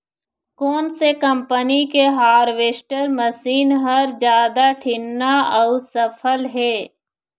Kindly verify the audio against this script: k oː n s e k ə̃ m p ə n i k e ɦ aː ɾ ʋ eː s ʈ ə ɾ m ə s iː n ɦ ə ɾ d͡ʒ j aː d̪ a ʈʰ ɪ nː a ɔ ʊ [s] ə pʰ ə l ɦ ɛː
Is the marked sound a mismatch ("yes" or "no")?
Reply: no